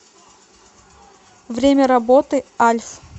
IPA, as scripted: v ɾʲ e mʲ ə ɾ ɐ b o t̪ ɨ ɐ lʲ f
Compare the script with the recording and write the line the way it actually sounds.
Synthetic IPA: v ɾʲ e mʲ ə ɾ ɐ b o t̪ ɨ a lʲ f